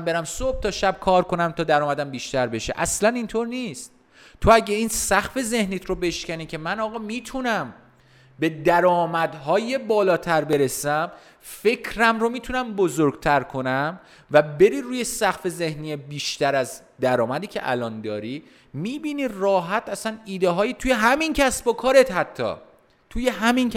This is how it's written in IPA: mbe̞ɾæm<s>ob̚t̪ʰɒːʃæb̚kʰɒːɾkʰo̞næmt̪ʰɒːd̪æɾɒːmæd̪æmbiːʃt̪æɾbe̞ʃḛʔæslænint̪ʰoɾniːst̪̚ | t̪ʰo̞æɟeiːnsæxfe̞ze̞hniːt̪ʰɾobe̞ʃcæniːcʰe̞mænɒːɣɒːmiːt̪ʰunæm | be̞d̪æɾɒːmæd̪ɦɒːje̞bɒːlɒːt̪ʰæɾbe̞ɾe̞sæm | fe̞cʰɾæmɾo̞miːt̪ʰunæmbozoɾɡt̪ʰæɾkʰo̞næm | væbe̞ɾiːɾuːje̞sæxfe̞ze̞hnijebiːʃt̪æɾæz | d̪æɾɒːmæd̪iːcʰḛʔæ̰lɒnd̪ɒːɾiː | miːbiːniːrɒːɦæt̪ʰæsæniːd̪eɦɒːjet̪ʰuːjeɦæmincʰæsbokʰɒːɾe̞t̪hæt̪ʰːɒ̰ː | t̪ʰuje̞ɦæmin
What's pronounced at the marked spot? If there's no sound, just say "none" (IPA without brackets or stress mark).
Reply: s